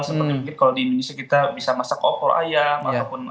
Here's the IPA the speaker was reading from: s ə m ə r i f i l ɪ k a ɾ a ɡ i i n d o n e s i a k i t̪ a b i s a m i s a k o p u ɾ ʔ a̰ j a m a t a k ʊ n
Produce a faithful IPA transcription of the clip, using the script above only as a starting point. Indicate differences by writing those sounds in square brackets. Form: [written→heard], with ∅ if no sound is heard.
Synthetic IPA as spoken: s ə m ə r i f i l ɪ k a [ɾ→l] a [ɡ→d] i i n d o n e s i a k i t̪ a b i s a m [i→a] s a k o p [u→ɔ] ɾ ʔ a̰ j a m a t a [k→p] ʊ n